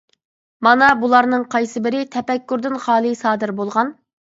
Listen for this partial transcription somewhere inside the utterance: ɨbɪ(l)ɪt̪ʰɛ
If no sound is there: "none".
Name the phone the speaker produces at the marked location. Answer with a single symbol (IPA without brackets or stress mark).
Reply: ɾ